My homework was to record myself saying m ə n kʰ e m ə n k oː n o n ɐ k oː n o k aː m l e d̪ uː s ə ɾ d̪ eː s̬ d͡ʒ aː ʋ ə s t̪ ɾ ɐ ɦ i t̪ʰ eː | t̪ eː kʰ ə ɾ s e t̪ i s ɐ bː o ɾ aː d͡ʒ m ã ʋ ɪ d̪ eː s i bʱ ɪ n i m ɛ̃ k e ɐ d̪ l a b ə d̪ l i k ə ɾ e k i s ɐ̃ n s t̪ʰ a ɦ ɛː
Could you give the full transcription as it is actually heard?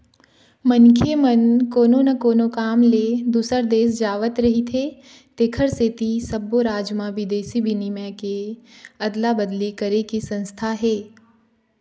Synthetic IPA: m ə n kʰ e m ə n k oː n o n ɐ k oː n o k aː m l e d̪ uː s ə ɾ d̪ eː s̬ d͡ʒ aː ʋ ə t̪ ɾ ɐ ɦ i t̪ʰ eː | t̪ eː kʰ ə ɾ s e t̪ i s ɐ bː o ɾ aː d͡ʒ m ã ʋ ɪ d̪ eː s i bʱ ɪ n i m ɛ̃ k e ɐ d̪ l a b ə d̪ l i k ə ɾ e k i s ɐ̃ n s t̪ʰ a ɦ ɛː